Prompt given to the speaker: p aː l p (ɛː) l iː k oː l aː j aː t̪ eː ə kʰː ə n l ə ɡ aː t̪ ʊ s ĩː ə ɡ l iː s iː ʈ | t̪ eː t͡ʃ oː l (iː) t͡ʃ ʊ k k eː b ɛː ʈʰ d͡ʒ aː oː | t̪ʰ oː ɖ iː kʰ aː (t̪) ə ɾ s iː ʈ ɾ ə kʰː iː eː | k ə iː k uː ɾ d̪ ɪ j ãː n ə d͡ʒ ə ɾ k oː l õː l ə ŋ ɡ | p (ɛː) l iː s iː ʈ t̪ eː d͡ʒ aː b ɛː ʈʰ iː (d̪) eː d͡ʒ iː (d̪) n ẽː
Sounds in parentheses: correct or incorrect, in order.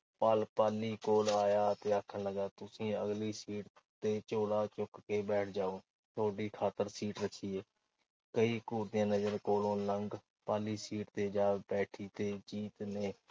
incorrect, incorrect, correct, incorrect, incorrect, incorrect

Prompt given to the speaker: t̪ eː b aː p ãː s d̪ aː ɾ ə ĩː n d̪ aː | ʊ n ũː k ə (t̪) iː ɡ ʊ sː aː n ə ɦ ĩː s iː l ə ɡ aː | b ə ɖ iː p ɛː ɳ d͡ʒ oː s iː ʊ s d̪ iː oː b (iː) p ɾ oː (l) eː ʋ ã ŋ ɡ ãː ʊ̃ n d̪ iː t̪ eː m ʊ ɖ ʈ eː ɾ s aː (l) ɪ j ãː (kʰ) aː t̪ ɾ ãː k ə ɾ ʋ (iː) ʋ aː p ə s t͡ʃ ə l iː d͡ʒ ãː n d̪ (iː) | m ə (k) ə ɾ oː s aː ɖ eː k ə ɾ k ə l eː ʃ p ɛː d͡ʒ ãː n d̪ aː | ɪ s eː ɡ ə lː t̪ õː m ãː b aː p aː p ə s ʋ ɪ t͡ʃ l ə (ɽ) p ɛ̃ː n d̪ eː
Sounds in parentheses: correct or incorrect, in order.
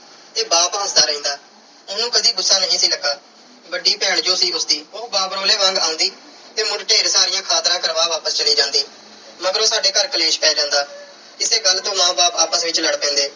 incorrect, incorrect, correct, incorrect, correct, incorrect, correct, incorrect, correct

